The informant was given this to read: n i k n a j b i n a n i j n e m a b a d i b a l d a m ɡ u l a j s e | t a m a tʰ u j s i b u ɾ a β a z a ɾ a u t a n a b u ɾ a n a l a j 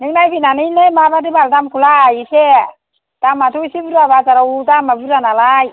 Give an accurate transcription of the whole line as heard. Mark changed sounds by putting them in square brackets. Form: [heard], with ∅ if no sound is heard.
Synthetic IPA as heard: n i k n a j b i n a n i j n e m a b a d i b a l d a m [k] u l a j s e | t a m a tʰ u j s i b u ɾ a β a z a ɾ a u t a [m] a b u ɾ a n a l a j